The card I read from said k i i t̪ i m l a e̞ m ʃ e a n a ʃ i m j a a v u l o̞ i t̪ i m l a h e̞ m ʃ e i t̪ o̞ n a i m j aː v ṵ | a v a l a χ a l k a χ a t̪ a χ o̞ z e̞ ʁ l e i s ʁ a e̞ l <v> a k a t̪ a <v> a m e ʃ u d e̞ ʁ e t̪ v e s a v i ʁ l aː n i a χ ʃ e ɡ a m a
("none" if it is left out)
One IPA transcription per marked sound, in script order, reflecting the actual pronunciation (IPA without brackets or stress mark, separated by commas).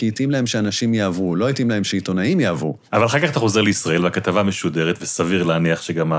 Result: v, v